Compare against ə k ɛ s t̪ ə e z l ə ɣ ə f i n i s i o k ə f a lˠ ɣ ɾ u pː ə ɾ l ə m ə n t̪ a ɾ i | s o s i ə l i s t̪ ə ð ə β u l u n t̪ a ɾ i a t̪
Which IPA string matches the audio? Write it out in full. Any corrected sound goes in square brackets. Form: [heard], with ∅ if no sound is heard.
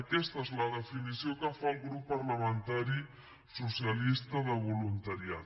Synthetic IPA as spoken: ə k ɛ s t̪ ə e z l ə [ð] ə f i n i s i o k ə f a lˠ ɣ ɾ u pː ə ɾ l ə m ə n t̪ a ɾ i | s [u] s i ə l i s t̪ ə ð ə β u l u n t̪ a ɾ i a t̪